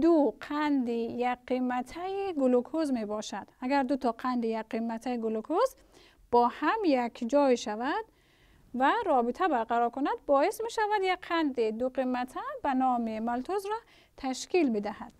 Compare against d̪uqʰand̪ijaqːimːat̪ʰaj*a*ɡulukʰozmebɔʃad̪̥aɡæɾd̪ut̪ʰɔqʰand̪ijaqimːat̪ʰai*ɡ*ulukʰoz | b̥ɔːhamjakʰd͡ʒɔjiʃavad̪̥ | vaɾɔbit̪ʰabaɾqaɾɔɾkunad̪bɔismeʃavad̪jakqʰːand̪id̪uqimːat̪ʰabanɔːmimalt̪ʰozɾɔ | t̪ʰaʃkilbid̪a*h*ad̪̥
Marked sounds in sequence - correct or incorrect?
incorrect, correct, correct

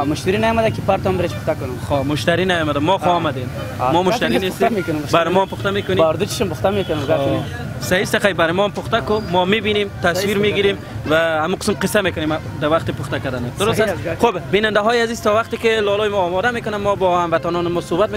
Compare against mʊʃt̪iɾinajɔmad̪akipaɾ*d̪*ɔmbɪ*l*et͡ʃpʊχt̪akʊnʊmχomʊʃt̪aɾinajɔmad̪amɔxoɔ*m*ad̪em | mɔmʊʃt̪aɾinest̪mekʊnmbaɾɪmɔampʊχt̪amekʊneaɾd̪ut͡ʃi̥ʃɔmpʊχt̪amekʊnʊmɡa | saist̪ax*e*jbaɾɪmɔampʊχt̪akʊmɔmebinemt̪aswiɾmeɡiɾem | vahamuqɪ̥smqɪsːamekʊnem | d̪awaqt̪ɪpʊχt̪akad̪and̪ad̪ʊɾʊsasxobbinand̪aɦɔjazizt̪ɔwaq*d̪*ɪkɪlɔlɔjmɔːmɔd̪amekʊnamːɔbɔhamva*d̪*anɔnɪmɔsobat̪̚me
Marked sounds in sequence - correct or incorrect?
incorrect, incorrect, correct, incorrect, incorrect, incorrect

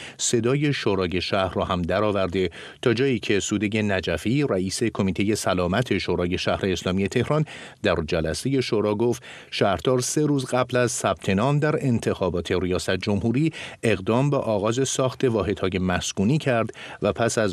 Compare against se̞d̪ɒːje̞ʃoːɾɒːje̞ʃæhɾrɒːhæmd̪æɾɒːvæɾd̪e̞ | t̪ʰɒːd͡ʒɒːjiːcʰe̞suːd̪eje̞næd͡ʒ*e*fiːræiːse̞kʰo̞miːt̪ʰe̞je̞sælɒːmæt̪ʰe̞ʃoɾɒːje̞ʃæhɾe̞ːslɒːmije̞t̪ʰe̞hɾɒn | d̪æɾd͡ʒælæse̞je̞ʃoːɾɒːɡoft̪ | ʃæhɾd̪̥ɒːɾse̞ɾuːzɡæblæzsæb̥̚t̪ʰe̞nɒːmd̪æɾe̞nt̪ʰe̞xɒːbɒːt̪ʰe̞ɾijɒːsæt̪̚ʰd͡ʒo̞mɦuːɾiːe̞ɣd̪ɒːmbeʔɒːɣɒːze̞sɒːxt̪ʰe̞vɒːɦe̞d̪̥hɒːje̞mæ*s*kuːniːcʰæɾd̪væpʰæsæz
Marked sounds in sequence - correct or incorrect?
incorrect, correct

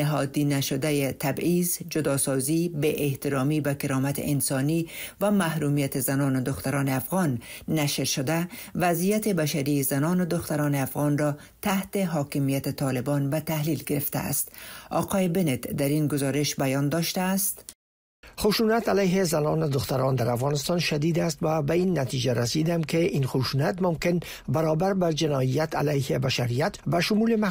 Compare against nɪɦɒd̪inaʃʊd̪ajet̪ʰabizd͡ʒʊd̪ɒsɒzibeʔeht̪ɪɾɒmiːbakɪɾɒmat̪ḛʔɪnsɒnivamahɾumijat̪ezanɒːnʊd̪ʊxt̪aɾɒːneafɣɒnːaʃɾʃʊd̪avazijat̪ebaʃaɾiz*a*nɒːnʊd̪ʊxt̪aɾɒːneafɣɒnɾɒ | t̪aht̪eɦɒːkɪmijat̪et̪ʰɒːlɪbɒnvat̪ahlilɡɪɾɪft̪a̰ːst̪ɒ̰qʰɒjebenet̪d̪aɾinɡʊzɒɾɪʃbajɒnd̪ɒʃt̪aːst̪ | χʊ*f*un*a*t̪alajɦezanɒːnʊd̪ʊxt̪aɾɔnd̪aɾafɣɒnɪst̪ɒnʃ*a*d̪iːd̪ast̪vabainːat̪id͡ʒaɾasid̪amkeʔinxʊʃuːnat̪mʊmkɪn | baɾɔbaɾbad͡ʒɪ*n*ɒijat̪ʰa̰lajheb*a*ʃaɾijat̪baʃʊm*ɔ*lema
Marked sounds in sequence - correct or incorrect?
correct, incorrect, correct, correct, correct, correct, incorrect

